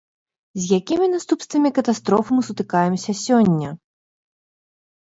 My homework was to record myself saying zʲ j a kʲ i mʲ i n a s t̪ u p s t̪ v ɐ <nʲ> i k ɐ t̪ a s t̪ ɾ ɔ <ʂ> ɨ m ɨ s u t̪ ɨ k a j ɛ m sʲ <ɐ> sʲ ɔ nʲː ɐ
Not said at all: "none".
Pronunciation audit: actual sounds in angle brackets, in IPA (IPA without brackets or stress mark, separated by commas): mʲ, f, ɐ